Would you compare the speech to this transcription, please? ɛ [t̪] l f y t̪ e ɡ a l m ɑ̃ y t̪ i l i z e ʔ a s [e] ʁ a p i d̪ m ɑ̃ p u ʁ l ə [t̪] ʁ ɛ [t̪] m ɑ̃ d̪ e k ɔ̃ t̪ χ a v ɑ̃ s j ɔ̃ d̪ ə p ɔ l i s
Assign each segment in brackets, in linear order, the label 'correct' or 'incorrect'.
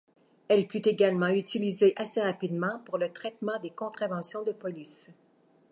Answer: incorrect: none, correct, correct, correct

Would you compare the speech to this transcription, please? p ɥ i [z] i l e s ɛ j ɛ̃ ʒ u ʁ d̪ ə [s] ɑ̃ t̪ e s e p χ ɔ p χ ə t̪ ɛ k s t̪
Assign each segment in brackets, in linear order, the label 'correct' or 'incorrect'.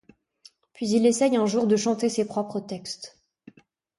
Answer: correct, incorrect: ʃ

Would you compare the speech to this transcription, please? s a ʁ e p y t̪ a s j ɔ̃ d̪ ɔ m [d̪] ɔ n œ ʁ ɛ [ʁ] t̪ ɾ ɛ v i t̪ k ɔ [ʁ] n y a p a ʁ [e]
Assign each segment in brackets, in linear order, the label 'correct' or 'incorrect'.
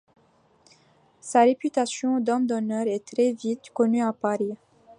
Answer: correct, incorrect: none, incorrect: none, incorrect: i

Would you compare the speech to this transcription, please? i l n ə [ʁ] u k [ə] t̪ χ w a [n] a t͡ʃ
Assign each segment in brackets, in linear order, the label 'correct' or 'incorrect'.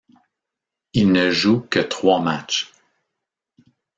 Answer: incorrect: ʒ, correct, incorrect: m

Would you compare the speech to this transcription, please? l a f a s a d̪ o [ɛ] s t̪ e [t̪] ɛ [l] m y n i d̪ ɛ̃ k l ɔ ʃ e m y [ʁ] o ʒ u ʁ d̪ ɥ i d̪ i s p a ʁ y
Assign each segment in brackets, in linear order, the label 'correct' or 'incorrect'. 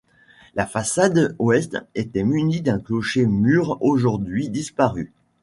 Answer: correct, correct, incorrect: none, correct

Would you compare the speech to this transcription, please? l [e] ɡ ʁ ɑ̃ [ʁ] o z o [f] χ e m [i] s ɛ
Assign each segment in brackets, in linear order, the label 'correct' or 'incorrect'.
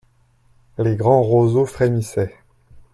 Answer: correct, correct, correct, correct

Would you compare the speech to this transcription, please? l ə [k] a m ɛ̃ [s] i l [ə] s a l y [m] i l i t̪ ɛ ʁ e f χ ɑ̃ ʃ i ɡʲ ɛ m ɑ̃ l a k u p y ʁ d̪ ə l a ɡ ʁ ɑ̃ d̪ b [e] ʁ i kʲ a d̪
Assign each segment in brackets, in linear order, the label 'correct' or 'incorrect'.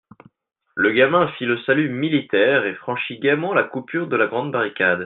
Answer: incorrect: ɡ, incorrect: f, correct, correct, incorrect: a

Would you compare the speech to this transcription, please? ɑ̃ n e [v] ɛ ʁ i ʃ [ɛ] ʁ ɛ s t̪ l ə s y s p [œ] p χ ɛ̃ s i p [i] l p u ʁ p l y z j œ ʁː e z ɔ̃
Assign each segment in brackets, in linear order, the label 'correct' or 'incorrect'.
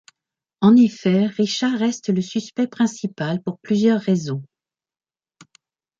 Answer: incorrect: f, incorrect: a, incorrect: ɛ, incorrect: a

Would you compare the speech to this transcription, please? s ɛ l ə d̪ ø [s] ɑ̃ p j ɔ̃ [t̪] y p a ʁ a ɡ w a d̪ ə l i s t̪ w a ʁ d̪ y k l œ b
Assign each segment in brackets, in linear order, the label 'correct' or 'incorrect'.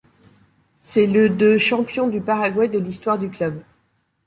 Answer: incorrect: ʃ, incorrect: d̪

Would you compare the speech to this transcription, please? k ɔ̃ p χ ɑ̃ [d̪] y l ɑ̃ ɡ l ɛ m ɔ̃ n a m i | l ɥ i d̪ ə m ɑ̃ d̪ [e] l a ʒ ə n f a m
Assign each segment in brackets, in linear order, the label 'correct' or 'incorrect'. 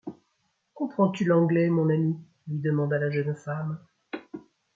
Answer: incorrect: t̪, incorrect: a

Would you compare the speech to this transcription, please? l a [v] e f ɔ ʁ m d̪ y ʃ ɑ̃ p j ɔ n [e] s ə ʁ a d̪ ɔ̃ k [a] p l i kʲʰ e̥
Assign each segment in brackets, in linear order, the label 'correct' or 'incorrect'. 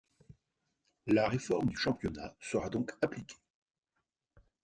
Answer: incorrect: ʁ, incorrect: a, correct

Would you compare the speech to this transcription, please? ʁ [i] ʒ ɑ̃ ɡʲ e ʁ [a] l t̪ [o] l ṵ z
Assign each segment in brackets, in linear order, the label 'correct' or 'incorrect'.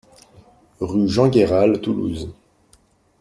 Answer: incorrect: y, correct, incorrect: u

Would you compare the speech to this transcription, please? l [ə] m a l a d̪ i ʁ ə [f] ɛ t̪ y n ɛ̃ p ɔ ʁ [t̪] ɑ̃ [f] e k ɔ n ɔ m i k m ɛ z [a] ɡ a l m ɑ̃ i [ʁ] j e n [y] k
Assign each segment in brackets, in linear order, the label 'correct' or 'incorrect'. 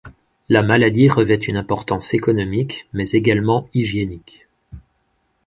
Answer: incorrect: a, incorrect: v, correct, incorrect: s, incorrect: e, incorrect: ʒ, incorrect: i

